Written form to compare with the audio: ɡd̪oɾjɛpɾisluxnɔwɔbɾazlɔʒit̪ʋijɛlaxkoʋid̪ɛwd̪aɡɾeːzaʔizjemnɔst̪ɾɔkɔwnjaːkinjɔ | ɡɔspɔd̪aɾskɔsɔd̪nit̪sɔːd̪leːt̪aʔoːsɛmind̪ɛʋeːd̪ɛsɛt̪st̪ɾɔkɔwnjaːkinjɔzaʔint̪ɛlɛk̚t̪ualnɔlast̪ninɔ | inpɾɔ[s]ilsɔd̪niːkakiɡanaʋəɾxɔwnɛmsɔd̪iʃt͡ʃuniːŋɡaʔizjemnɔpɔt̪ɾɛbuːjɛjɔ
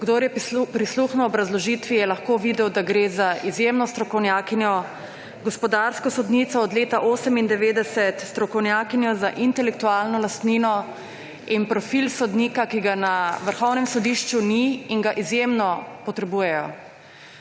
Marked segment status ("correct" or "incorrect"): incorrect